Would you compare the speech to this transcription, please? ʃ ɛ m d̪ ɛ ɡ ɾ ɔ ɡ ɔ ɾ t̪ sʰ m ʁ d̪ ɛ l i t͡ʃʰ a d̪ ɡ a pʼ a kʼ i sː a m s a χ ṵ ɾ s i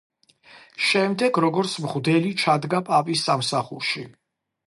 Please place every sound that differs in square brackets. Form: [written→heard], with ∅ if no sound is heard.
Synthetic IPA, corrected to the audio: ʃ ɛ m d̪ ɛ ɡ ɾ ɔ ɡ ɔ ɾ t̪ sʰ m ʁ d̪ ɛ l i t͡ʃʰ a d̪ ɡ a pʼ a [kʼ→pʼ] i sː a m s a χ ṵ ɾ [s→ʃ] i